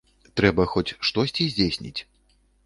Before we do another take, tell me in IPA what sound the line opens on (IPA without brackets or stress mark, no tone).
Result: t̪